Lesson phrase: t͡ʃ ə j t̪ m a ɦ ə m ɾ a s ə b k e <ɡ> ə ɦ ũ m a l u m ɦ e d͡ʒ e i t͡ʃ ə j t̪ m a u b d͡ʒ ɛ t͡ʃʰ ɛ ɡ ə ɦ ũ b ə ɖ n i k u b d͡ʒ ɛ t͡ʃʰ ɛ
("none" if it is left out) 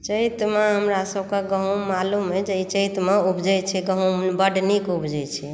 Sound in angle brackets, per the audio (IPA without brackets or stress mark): ɡ